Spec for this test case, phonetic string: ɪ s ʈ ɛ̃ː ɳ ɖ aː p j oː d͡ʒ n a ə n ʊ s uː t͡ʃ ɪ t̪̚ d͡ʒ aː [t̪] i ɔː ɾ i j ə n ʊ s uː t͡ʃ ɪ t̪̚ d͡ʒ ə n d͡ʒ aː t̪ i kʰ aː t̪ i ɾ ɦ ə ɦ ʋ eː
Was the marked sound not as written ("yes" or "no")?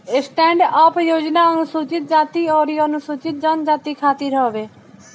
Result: no